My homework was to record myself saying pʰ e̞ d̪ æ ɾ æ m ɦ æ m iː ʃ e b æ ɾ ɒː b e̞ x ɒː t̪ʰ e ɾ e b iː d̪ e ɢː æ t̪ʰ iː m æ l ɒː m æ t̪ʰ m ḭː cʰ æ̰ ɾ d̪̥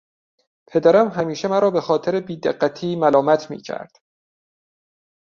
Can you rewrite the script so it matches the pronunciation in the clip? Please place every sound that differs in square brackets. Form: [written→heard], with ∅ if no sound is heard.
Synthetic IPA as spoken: pʰ e̞ d̪ æ ɾ æ m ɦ æ m iː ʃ e [b→m] æ ɾ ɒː b e̞ x ɒː t̪ʰ e ɾ e b iː d̪ e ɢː æ t̪ʰ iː m æ l ɒː m æ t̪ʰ m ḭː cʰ æ̰ ɾ d̪̥